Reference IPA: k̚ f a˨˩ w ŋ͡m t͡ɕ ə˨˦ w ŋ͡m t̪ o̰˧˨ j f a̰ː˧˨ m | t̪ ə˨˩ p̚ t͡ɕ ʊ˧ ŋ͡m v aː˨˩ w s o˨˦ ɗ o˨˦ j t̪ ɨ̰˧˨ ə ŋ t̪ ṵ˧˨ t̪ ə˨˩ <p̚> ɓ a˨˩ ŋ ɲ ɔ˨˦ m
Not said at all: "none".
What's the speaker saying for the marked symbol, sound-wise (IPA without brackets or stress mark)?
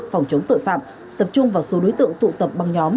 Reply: p̚